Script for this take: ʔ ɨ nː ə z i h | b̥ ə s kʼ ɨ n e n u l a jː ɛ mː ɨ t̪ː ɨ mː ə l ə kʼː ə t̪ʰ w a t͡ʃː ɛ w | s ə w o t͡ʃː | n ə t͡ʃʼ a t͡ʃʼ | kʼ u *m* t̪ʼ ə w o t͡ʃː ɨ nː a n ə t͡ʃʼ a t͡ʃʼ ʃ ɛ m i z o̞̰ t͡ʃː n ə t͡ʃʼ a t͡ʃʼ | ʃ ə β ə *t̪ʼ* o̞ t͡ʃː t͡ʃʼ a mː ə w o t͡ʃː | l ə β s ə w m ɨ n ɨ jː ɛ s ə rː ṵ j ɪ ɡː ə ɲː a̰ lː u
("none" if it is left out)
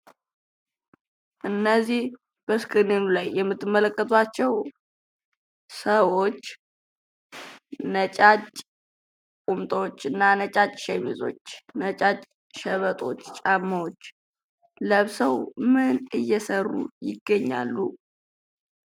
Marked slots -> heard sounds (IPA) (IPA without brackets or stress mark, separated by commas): m, t̪ʼ